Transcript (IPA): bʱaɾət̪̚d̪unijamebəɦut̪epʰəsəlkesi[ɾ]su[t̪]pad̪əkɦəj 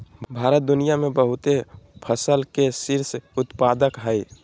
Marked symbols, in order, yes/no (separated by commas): yes, yes